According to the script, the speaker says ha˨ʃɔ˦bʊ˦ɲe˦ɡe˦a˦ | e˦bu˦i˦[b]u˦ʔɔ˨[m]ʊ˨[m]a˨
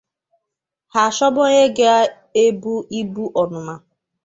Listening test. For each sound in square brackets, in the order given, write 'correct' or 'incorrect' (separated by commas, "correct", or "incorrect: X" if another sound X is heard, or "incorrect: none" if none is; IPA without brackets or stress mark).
correct, incorrect: n, correct